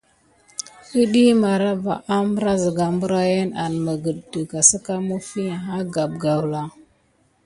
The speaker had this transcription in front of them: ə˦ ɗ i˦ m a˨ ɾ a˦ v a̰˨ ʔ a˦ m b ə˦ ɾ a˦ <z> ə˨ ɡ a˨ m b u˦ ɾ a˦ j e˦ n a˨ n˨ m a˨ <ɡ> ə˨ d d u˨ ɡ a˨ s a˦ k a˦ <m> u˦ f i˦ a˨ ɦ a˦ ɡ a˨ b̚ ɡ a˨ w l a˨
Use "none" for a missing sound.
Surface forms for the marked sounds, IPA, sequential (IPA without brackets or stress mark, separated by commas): z, ɡ, m